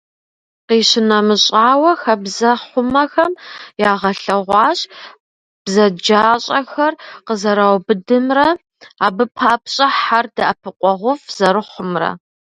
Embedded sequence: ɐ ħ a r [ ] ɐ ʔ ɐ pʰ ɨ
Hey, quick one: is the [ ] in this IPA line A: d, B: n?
A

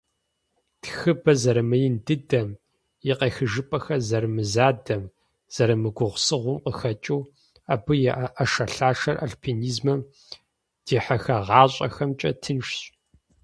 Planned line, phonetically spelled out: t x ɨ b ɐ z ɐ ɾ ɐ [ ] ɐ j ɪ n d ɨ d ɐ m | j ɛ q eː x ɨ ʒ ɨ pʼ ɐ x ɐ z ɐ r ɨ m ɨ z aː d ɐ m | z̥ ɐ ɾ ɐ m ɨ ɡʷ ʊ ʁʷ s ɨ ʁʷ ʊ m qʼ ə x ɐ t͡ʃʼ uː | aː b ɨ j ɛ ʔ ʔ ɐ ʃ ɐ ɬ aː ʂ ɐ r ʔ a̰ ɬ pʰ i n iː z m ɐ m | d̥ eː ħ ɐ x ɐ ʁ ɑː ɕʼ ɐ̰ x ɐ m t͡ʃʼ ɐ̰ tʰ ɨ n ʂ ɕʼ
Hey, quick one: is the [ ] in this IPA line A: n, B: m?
B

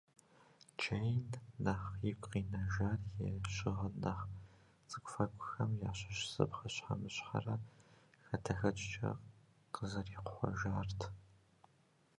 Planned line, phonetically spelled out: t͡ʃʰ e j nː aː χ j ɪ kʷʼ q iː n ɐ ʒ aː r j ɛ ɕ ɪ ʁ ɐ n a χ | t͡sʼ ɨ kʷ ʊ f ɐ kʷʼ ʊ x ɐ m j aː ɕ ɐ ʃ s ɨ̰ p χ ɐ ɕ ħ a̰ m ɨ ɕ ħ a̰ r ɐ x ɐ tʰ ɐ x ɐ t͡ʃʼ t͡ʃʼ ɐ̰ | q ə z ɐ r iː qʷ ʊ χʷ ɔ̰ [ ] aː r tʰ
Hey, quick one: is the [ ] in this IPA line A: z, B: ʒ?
B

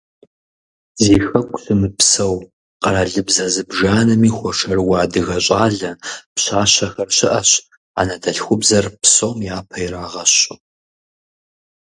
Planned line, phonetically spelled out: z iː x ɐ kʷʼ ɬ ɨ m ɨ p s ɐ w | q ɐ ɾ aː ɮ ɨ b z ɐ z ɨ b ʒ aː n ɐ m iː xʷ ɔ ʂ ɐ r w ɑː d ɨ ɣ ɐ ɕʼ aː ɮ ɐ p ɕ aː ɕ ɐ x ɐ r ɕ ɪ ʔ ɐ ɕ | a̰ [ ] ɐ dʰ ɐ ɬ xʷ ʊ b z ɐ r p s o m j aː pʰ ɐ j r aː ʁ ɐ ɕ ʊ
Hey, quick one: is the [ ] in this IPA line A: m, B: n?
B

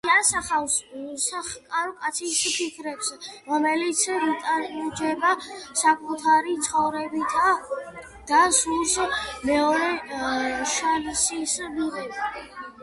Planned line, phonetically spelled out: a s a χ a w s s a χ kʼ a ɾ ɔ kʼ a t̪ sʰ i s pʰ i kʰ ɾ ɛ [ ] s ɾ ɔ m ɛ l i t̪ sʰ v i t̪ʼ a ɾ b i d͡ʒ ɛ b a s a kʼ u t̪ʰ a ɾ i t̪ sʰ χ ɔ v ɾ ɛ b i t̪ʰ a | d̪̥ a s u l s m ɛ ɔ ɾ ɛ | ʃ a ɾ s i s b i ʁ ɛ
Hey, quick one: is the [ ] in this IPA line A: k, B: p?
B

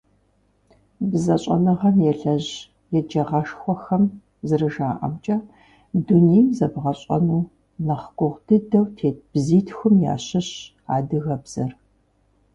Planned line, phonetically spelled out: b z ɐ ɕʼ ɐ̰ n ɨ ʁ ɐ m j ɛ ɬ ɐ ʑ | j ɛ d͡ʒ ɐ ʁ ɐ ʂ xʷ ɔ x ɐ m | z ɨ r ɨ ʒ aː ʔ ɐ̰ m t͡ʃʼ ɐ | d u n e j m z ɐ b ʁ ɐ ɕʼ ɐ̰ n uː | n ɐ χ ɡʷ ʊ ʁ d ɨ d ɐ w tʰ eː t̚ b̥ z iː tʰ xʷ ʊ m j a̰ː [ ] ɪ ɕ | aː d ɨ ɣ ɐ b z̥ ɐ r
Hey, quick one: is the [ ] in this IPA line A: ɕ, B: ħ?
A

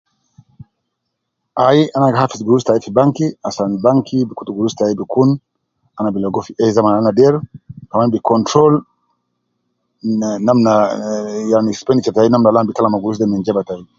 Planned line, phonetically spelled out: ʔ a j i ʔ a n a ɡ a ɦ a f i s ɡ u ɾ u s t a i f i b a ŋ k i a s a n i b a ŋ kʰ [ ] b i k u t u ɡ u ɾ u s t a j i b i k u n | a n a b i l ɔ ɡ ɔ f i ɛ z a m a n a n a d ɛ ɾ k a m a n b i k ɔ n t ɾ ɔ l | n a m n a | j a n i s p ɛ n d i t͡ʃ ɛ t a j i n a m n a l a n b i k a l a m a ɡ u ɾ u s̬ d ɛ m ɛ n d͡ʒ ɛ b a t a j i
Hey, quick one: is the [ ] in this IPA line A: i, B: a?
A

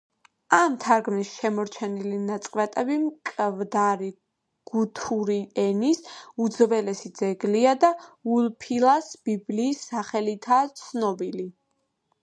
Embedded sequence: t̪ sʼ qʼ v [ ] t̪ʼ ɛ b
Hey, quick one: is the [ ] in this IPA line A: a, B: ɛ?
B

